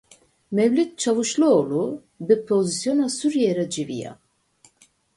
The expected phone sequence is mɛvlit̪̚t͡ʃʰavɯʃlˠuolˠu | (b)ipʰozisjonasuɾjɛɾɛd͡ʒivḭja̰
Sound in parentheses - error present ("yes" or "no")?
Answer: no